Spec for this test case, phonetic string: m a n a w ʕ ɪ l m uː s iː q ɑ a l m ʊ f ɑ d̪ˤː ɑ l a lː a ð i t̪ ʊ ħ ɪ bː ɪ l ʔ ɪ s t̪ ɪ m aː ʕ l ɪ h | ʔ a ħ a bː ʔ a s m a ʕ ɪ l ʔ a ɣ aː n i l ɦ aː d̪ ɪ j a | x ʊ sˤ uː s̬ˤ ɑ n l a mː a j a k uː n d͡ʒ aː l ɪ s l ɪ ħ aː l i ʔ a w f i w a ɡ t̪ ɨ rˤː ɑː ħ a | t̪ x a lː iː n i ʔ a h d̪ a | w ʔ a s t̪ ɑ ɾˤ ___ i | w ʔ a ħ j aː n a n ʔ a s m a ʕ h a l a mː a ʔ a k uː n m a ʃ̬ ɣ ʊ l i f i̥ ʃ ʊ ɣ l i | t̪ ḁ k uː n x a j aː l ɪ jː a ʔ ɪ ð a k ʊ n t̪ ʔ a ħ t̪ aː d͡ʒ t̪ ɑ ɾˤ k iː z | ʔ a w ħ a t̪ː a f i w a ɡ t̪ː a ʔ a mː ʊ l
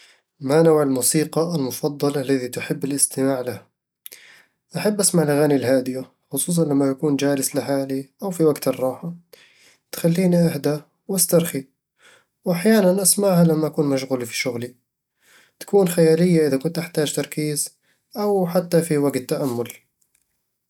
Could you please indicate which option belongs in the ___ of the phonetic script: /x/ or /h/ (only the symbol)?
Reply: x